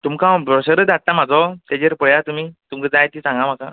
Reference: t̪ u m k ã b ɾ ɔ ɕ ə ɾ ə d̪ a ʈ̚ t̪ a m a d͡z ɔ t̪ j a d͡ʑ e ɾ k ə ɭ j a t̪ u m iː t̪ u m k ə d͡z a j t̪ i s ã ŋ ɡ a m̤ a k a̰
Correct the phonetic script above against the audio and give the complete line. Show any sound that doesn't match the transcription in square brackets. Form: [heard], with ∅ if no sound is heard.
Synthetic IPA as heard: t̪ u m k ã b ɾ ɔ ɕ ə ɾ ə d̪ a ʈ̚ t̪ a m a d͡z ɔ t̪ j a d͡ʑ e ɾ [p] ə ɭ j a t̪ u m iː t̪ u m k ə d͡z a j t̪ i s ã ŋ ɡ a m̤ a k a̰